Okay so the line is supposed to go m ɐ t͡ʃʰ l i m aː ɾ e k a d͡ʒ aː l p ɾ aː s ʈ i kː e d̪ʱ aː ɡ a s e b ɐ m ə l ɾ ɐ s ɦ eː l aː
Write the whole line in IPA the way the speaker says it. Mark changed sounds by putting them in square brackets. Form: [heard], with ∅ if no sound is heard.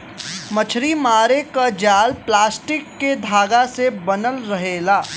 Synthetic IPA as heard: m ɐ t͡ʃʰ [ɾ] i m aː ɾ e k a d͡ʒ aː l p [l] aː s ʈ [ɪ] kː e d̪ʱ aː ɡ a s e b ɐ [n] ə l ɾ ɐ [∅] ɦ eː l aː

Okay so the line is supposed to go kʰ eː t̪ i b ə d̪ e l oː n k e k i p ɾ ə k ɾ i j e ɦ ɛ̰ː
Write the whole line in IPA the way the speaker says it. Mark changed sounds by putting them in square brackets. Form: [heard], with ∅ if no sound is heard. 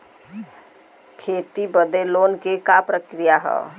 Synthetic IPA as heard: kʰ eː t̪ i b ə d̪ e l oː n k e k [a] p ɾ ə k ɾ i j [a] ɦ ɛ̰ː

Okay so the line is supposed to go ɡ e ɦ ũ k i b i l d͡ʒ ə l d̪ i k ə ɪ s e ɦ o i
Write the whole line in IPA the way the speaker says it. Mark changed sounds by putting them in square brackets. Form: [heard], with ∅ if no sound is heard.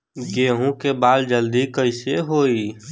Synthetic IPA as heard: ɡ e ɦ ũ k [e] b [a] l d͡ʒ ə l d̪ i k ə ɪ s e ɦ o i

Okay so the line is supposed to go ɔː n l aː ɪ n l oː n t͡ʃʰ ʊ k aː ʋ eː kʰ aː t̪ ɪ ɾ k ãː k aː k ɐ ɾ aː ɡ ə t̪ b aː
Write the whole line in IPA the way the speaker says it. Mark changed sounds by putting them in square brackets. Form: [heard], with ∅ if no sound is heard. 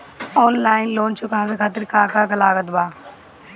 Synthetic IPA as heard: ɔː n l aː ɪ n l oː n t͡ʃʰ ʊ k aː ʋ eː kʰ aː t̪ ɪ ɾ k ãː k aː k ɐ [l] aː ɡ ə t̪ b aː

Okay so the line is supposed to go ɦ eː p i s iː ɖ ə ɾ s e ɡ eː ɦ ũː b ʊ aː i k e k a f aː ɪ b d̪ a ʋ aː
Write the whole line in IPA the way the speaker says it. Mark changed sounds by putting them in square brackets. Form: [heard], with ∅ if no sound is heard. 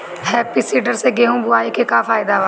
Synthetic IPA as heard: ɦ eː p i s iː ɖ ə ɾ s e ɡ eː ɦ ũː b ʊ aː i k e k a f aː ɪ [∅] d̪ a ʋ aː

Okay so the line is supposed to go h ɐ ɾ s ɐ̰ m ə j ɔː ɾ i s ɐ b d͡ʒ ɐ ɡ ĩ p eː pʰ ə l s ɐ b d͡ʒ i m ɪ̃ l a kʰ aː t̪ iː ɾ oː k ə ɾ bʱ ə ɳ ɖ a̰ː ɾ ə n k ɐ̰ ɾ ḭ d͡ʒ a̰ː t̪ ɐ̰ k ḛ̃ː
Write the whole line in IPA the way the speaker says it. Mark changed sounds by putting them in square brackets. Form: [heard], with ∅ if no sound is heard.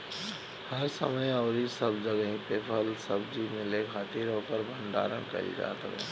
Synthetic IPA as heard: h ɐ ɾ s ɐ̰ m ə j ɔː ɾ i s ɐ b d͡ʒ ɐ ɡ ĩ p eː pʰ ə l s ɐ b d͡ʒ i m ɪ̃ l [e] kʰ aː t̪ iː ɾ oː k ə ɾ bʱ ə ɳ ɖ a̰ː ɾ ə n k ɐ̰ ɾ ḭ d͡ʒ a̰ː t̪ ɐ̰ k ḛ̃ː

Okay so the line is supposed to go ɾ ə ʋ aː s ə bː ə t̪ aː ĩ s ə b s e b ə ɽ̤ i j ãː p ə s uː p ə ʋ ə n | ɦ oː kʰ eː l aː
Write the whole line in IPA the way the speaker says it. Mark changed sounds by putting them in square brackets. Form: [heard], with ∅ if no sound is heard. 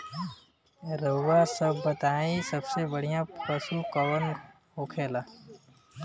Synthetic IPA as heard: ɾ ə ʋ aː s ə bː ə t̪ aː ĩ s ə b s e b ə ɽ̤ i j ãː p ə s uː [k] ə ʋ ə n | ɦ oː kʰ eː l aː

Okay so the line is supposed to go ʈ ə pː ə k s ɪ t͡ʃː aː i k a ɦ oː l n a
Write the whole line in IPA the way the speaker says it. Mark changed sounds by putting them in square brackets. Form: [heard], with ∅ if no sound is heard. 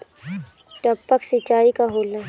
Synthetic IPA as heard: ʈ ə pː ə k s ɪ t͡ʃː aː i k a ɦ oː l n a

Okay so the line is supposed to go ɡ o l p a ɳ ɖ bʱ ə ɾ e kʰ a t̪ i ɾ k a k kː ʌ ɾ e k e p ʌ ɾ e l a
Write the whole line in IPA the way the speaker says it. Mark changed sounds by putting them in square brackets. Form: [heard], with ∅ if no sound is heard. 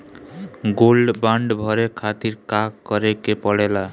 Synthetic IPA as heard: ɡ o l [b] a ɳ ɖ bʱ [ʌ] ɾ e kʰ a t̪ i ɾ k a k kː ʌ ɾ e k e p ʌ [ɽ] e l a

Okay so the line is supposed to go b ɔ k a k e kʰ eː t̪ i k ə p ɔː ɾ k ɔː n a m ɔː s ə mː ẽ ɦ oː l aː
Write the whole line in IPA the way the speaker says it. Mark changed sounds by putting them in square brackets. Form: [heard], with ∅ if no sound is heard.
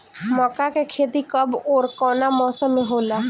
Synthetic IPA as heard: [m] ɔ k a k e kʰ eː t̪ i k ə [b] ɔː ɾ k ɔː n a m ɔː s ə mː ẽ ɦ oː l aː

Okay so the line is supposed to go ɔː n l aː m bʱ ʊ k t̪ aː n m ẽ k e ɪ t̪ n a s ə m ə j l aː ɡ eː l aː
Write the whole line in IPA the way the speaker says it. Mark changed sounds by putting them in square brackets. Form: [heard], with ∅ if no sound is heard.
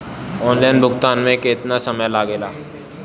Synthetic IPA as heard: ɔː n l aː [n] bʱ ʊ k t̪ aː n m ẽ k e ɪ t̪ n a s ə m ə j l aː ɡ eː l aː

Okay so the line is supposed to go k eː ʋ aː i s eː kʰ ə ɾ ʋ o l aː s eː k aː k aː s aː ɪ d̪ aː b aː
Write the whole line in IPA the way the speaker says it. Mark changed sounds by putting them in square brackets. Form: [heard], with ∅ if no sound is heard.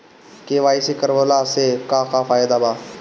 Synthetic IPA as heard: k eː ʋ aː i s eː [k] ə ɾ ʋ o l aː s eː k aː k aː [f] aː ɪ d̪ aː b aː

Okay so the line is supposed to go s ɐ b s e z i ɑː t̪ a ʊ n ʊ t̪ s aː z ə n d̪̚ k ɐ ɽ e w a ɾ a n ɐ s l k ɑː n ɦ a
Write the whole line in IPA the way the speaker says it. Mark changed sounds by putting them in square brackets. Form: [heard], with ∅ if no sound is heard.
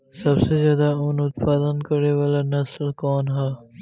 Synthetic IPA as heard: s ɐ b s e z [j] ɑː [d̪] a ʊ n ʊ t̪ [f] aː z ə n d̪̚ k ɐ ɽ e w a [l] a n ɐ s l k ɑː n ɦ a

